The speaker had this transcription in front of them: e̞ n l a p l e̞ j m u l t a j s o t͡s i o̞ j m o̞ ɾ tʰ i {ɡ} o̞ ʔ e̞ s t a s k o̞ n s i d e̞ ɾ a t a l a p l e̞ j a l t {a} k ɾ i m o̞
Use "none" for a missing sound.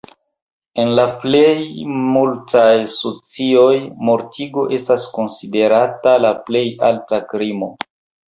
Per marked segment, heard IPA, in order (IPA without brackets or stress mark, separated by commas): ɡ, a